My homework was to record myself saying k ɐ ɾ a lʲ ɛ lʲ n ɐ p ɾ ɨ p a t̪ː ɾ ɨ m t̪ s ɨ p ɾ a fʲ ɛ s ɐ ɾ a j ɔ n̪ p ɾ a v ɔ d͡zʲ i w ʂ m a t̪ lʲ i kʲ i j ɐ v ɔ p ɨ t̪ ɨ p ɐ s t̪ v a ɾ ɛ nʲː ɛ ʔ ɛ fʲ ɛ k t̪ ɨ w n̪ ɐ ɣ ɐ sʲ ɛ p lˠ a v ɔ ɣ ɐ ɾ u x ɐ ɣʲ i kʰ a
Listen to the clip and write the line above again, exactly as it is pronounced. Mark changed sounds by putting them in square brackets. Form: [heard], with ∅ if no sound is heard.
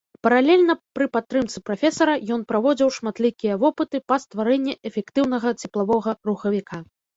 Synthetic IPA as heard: [p] ɐ ɾ a lʲ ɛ lʲ n ɐ p ɾ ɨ p a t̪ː ɾ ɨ m t̪ s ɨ p ɾ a fʲ ɛ s ɐ ɾ [ɐ] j ɔ n̪ p ɾ a v ɔ d͡zʲ i w ʂ m a t̪ lʲ i kʲ i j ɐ v ɔ p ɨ t̪ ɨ p ɐ s t̪ v a ɾ ɛ nʲː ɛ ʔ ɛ fʲ ɛ k t̪ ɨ w n̪ ɐ ɣ ɐ [t͡sʲ] ɛ p lˠ a v ɔ ɣ ɐ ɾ u x ɐ [vʲ] i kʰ a